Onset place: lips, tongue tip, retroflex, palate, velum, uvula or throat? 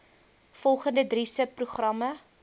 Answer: lips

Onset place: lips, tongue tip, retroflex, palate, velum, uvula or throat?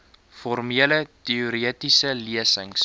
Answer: lips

